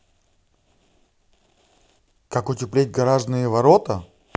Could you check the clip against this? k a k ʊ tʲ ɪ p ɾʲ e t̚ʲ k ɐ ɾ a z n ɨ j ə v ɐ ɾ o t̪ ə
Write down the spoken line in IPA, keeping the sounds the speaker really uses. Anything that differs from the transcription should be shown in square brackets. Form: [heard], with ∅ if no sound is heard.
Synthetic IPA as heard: k a k ʊ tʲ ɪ p [lʲ] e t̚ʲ [ɡ] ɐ ɾ a [ʐ] n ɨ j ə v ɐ ɾ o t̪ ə